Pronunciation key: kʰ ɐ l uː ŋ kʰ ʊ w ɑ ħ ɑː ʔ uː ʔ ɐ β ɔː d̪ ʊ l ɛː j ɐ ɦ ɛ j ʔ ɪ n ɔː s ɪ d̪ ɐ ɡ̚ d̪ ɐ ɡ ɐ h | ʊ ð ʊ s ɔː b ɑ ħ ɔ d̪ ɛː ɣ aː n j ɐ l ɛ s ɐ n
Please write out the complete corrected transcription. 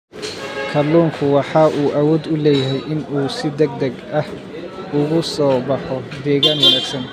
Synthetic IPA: kʰ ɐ l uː ŋ kʰ ʊ w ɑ ħ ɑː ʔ uː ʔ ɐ w ɔː d̪ ʊ l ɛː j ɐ ɦ ɛ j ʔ ɪ n uː s ɪ d̪ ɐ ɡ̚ d̪ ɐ ɡ ɐ h | ʊ ɣ ʊ s ɔː b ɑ ħ ɔ d̪ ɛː ɣ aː n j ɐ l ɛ s ɐ n